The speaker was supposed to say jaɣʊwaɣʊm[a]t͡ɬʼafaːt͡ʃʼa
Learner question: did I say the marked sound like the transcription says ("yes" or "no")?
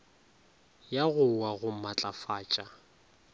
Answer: yes